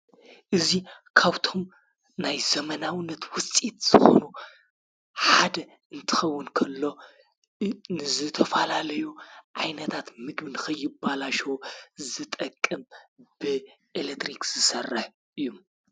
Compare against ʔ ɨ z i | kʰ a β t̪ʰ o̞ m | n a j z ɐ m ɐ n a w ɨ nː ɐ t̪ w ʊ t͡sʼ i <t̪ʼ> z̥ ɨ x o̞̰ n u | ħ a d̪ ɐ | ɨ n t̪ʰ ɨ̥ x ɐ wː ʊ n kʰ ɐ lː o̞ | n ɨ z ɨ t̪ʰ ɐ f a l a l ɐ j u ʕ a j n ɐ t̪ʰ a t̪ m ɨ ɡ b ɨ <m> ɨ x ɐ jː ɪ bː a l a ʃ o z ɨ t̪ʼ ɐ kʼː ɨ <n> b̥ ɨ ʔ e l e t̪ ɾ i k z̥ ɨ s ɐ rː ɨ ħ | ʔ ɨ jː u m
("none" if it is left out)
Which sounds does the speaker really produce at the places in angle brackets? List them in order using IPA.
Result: t̪, n, m

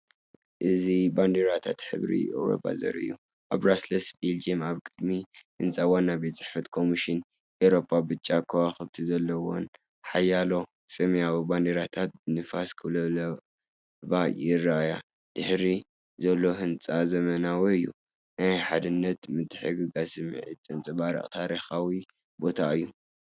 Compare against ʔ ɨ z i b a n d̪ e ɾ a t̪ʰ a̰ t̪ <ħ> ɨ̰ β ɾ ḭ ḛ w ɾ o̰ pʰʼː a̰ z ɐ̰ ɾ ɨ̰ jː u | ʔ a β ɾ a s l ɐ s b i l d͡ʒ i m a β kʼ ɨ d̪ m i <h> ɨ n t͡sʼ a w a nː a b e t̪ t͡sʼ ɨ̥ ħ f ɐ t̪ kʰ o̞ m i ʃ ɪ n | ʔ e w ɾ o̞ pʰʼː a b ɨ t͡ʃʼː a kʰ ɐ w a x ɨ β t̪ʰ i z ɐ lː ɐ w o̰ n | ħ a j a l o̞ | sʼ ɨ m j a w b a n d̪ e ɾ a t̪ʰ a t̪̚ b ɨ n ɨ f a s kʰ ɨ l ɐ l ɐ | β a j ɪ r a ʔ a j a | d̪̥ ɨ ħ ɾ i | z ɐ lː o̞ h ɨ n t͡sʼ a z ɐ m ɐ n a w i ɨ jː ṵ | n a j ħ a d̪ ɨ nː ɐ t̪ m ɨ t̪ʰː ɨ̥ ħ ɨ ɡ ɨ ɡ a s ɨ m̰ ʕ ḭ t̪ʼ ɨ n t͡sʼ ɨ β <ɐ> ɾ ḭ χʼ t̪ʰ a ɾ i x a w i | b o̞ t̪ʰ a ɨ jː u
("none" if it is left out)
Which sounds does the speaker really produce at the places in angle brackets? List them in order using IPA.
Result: ħ, h, a

